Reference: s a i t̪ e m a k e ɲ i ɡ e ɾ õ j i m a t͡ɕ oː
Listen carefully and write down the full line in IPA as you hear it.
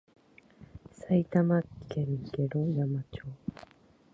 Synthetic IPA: s a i t̪ a m a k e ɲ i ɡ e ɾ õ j a m a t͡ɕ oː